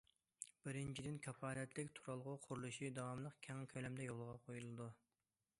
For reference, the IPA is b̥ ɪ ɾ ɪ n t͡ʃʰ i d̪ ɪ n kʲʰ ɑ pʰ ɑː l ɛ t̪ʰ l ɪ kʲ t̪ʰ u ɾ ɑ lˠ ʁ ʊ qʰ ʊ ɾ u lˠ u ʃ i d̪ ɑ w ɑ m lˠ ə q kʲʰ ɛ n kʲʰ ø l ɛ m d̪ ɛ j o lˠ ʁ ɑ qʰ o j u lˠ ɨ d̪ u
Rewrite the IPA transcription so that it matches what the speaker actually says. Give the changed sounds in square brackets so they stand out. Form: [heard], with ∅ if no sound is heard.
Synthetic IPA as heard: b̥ ɪ ɾ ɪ n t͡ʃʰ i d̪ ɪ n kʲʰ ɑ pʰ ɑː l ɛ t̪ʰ l ɪ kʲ t̪ʰ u ɾ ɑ lˠ ʁ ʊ qʰ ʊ ɾ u lˠ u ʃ i d̪ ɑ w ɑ m lˠ ə q kʲʰ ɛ [ŋ] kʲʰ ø l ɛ m d̪ ɛ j o lˠ ʁ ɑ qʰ o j u lˠ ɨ d̪ u